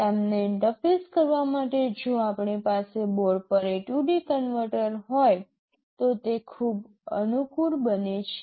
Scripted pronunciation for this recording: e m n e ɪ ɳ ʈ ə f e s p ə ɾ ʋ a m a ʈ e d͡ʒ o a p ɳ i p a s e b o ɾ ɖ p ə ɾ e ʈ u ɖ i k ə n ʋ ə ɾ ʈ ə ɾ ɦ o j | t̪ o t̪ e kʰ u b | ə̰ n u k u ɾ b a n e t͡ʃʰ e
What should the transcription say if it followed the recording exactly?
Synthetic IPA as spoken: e m n e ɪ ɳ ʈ ə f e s k ə ɾ ʋ a m a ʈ e d͡ʒ o a p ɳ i p a s e b o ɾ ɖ p ə ɾ e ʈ u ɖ i k ə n ʋ ə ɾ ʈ ə ɾ ɦ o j | t̪ o t̪ e kʰ u b | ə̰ n u k u ɾ b ə n e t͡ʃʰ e